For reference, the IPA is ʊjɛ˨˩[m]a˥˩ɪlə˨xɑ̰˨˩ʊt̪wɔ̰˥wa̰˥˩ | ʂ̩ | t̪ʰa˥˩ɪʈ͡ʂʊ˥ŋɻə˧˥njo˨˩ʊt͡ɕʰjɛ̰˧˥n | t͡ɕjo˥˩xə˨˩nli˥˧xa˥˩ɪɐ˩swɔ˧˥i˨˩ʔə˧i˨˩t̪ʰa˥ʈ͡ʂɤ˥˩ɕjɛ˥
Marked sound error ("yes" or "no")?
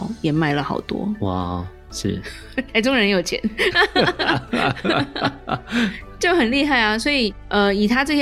no